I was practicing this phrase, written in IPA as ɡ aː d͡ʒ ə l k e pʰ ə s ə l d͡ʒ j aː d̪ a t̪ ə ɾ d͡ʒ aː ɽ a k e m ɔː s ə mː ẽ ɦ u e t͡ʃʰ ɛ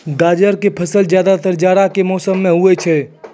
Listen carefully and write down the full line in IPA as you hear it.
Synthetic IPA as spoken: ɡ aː d͡ʒ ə ɾ k e pʰ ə s ə l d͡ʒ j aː d̪ a t̪ ə ɾ d͡ʒ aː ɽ a k e m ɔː s ə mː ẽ ɦ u e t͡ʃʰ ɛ